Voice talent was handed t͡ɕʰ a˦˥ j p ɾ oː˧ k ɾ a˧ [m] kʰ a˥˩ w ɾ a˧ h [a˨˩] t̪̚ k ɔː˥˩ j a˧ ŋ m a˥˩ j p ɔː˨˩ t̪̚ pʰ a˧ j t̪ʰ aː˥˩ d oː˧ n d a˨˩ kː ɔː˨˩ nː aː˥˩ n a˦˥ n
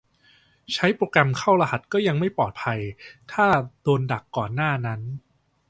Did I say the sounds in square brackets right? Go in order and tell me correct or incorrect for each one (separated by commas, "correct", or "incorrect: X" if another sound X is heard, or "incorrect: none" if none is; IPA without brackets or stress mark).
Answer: correct, correct